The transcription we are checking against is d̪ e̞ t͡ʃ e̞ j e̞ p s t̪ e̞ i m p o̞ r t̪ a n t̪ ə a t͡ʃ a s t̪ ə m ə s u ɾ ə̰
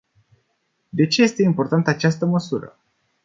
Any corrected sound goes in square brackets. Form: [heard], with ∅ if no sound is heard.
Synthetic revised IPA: d̪ e̞ t͡ʃ e̞ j e̞ [∅] s t̪ e̞ i m p o̞ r t̪ a n t̪ ə a t͡ʃ a s t̪ ə m ə s u ɾ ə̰